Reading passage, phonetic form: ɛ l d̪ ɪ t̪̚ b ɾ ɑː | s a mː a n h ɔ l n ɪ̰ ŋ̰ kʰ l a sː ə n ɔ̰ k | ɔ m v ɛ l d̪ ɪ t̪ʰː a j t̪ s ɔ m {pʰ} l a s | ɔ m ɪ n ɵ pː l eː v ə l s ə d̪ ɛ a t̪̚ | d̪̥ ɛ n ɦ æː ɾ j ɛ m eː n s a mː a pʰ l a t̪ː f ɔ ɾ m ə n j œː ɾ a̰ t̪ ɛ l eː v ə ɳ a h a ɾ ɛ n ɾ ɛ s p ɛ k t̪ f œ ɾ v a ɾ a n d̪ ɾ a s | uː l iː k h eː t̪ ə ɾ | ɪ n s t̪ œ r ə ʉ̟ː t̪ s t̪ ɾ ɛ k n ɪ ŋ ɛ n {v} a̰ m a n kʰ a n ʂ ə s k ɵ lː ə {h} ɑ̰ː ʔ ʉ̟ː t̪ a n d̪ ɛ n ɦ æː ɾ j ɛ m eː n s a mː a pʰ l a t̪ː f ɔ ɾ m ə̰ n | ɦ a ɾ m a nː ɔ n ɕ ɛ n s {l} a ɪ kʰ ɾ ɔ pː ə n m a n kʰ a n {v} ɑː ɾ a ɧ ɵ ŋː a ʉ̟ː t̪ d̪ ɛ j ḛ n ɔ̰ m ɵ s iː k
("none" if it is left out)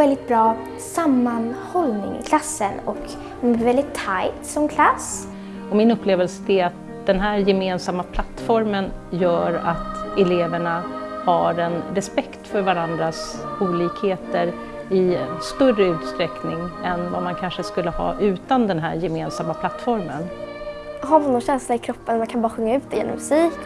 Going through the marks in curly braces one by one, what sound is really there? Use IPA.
kʰ, v, h, l, b

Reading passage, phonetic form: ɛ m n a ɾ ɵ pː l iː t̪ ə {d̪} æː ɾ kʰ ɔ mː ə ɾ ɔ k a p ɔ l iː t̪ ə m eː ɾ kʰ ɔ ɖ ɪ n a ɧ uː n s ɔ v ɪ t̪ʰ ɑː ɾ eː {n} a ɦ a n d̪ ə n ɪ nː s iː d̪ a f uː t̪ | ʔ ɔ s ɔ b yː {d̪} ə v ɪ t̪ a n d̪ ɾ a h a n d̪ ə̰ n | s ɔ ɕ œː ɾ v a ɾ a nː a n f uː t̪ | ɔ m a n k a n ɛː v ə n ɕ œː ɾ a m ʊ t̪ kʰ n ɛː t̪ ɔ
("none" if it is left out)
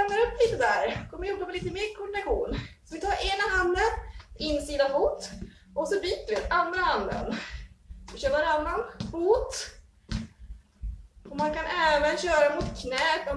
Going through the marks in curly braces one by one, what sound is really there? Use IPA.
d̪, n, t̪

